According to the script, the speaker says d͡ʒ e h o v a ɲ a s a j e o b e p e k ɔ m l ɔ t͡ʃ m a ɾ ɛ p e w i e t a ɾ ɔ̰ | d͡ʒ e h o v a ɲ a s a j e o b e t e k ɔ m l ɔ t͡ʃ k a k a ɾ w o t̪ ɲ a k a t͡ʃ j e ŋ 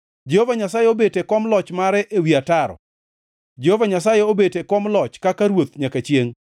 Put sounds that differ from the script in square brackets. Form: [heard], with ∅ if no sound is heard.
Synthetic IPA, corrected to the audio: d͡ʒ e h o v a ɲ a s a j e o b e [t] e k ɔ m l ɔ t͡ʃ m a ɾ ɛ [ʔ] e w i [a] t a ɾ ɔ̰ | d͡ʒ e h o v a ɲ a s a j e o b e t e k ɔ m l ɔ t͡ʃ k a k a ɾ w o t̪ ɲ a k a t͡ʃ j e ŋ